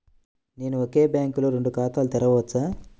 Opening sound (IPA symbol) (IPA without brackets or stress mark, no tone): n